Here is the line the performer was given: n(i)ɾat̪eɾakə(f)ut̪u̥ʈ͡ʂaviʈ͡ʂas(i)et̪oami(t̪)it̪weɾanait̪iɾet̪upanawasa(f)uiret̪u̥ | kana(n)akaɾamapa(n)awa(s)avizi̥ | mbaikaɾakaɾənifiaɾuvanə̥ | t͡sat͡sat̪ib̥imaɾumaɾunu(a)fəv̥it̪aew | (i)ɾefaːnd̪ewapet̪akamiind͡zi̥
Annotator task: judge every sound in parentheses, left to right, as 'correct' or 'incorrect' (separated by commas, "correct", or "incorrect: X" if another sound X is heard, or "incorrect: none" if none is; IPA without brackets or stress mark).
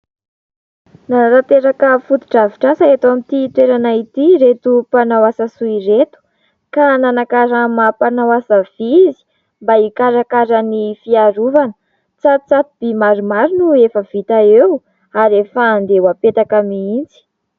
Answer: incorrect: a, correct, incorrect: a, correct, incorrect: s, correct, correct, correct, incorrect: e, incorrect: a